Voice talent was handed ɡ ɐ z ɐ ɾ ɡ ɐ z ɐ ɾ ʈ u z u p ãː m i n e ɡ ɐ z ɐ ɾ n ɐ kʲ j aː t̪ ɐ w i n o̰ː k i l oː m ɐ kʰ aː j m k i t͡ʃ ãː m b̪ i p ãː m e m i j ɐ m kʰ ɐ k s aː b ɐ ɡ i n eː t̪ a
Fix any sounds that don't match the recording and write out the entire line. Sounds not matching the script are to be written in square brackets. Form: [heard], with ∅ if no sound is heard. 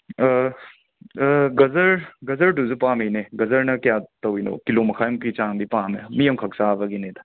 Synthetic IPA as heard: ɡ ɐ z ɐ ɾ ɡ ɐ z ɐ ɾ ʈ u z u p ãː m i n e ɡ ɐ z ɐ ɾ n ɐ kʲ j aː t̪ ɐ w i n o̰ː k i l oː m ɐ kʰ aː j m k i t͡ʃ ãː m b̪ i p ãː m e m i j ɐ m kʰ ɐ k s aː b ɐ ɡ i n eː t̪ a

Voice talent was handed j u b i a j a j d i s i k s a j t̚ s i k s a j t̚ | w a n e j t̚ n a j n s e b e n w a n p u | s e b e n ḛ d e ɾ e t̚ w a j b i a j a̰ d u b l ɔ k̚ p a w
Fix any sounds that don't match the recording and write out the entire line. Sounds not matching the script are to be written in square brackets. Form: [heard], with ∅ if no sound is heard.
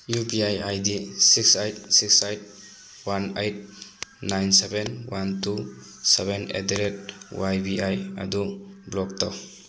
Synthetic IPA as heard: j u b i a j a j d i s i k s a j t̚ s i k s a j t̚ | w a n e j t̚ n a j n s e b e n w a n [t] u | s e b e n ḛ d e ɾ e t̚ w a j b i a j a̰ d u b l ɔ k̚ [t] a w

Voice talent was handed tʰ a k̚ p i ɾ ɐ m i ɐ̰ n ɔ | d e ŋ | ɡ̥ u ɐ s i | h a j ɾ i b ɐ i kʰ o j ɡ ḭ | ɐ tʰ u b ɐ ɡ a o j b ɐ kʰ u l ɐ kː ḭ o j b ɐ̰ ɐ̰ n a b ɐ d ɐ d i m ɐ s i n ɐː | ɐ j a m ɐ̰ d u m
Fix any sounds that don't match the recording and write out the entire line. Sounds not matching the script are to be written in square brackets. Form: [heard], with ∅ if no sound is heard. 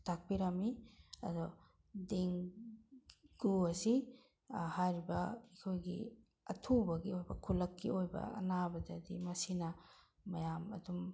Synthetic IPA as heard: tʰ a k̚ p i ɾ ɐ m i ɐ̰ [d] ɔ | d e ŋ | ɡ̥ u ɐ s i | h a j ɾ i b ɐ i kʰ o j ɡ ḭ | ɐ tʰ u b ɐ ɡ [i] o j b ɐ kʰ u l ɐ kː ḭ o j b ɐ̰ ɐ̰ n a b ɐ d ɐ d i m ɐ s i n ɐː | ɐ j a m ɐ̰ d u m

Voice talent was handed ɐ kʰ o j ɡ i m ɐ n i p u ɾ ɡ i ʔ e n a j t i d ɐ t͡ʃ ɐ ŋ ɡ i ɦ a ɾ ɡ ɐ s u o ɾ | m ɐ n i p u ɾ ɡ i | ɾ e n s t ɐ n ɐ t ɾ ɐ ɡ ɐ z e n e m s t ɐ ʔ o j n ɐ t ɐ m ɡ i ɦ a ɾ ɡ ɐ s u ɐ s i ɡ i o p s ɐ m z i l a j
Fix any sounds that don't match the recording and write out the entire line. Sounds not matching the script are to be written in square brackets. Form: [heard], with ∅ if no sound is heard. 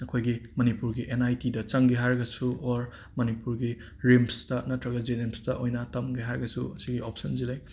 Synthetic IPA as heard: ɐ kʰ o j ɡ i m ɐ n i p u ɾ ɡ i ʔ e n a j t i d ɐ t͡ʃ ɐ ŋ ɡ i ɦ a ɾ ɡ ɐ s u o ɾ | m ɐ n i p u ɾ ɡ i | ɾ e [m] s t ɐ n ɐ t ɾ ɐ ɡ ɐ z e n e m s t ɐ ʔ o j n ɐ t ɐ m ɡ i ɦ a ɾ ɡ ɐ s u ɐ s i ɡ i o p s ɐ [n] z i l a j

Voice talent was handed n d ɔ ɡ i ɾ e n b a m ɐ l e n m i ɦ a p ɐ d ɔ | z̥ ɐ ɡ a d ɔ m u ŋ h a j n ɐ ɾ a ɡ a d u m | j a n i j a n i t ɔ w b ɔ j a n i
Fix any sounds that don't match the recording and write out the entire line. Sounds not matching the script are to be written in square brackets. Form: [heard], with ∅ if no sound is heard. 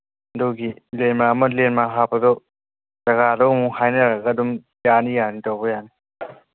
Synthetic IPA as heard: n d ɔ ɡ i [l] e n [m] a m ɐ l e n m [a] ɦ a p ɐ d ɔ | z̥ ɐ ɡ a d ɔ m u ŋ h a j n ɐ ɾ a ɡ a d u m | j a n i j a n i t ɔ w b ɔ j a n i

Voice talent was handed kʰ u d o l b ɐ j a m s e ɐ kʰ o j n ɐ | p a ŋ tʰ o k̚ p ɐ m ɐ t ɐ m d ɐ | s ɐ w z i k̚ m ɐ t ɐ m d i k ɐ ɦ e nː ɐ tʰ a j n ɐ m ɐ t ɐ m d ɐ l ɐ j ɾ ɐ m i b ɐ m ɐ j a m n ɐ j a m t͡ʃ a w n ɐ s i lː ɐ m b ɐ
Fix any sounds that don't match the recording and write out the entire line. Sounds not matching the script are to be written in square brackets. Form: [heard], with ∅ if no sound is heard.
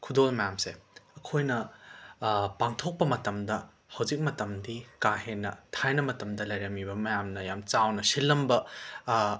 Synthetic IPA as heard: kʰ u d o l [m] ɐ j a m s e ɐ kʰ o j n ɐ | p a ŋ tʰ o k̚ p ɐ m ɐ t ɐ m d ɐ | [h] ɐ w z i k̚ m ɐ t ɐ m d i k [a] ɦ e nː ɐ tʰ a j n ɐ m ɐ t ɐ m d ɐ l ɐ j ɾ ɐ m i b ɐ m ɐ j a m n ɐ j a m t͡ʃ a w n ɐ s i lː ɐ m b ɐ

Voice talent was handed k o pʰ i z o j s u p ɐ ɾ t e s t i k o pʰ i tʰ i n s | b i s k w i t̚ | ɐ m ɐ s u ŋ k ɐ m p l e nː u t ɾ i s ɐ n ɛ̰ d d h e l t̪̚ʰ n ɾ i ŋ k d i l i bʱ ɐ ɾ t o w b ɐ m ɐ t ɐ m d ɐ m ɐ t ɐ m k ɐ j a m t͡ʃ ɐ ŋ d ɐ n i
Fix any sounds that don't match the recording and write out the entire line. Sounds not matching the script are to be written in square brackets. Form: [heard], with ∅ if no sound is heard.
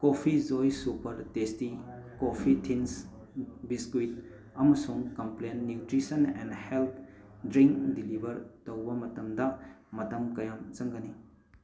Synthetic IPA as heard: k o pʰ i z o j s u p ɐ ɾ t e s t i k o pʰ i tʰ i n s | b i s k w i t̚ | ɐ m ɐ s u ŋ k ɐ m p l e nː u t ɾ i s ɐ n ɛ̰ [n] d h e l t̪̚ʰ [d] ɾ i ŋ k d i l i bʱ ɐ ɾ t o w b ɐ m ɐ t ɐ m d ɐ m ɐ t ɐ m k ɐ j a m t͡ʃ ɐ ŋ [ɡ] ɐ n i

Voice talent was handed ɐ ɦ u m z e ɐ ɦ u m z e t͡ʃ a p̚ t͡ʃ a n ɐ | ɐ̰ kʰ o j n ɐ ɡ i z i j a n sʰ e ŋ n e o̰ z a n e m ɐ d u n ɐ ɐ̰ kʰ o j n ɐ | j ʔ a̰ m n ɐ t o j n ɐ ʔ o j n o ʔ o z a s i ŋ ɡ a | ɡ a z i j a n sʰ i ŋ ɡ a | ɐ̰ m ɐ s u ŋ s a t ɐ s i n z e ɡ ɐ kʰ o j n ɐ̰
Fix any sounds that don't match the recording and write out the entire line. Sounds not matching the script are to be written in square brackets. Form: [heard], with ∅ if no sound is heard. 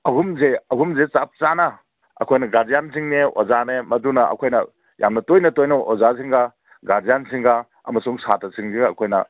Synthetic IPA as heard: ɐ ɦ u m z e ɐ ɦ u m z e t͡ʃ a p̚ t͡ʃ a n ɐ | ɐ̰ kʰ o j n ɐ ɡ [a] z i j a n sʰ [i] ŋ n e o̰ z a n e m ɐ d u n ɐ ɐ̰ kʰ o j n ɐ | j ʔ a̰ m n ɐ t o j n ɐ [t] o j n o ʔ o z a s i ŋ ɡ a | ɡ a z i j a n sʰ i ŋ ɡ a | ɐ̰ m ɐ s u ŋ s a t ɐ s i [ŋ] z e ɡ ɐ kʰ o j n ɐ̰

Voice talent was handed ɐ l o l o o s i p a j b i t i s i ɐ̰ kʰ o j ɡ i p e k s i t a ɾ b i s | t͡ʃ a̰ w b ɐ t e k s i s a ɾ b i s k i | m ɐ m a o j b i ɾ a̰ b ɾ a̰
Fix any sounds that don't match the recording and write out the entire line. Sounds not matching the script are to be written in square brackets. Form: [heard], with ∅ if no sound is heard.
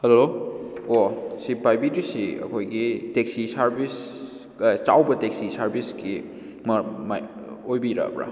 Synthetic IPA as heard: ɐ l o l o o s i p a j b i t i s i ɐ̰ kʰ o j ɡ i [t] e k s i [s] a ɾ b i s | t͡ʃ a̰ w b ɐ t e k s i s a ɾ b i s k i | m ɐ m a o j b i ɾ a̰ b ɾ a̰

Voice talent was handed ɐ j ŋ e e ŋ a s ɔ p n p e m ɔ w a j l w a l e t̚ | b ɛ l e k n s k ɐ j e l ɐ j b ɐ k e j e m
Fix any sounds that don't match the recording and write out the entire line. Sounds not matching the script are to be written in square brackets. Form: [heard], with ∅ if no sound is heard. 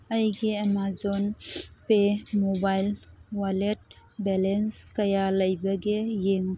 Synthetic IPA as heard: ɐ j [ɡ] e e [m] a [z] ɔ [∅] n p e m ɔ [b] a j l w a l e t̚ | b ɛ l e [∅] n s k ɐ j [a] l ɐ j b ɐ [ɡ] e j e [ŋ]

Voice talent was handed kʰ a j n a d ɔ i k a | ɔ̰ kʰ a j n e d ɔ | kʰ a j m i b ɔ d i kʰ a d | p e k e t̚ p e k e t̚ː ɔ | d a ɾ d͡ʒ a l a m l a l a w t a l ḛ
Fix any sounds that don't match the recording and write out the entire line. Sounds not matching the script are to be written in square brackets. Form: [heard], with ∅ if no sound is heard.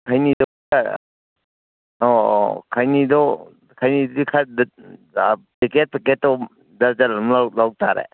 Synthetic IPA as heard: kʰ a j n [i] d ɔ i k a | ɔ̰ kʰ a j n [i] d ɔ | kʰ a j [n] i [d] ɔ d i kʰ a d | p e k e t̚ p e k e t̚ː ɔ | d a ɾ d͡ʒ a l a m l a l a w t a [ɾ] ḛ

